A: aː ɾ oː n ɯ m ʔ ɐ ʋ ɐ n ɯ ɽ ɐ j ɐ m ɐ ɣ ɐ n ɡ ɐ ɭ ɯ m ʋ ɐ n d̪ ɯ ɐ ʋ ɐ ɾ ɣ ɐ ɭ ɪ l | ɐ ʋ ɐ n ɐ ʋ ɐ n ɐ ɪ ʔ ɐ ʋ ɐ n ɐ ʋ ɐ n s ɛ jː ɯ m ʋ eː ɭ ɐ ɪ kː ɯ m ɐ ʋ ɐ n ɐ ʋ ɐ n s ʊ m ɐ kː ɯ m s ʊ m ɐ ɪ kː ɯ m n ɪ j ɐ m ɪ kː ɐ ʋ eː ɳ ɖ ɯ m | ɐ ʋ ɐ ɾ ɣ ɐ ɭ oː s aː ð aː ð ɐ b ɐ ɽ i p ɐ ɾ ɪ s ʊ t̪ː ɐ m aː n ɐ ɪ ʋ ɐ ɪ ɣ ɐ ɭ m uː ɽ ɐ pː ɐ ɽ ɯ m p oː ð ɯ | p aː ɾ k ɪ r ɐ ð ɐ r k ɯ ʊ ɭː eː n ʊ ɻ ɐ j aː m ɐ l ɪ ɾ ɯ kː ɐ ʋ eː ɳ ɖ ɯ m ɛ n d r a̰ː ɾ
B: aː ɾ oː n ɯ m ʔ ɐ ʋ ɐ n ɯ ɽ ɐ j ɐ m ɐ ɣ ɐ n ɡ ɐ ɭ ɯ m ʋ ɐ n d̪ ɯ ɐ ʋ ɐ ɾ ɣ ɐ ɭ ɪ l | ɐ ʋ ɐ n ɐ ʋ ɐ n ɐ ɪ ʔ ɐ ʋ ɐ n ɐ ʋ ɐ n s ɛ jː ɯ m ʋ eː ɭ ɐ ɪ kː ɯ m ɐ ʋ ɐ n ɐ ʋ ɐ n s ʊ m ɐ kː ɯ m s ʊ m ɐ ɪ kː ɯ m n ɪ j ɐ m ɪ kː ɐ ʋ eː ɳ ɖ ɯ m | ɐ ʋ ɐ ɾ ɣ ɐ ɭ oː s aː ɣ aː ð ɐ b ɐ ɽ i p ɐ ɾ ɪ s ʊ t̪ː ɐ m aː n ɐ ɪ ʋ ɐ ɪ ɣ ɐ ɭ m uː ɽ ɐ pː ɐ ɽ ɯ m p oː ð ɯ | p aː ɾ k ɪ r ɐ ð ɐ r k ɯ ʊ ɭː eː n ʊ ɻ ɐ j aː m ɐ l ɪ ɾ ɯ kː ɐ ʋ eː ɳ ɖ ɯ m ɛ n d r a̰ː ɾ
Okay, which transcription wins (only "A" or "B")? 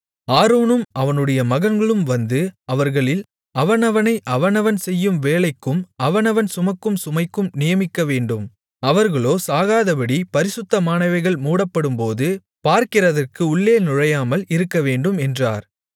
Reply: B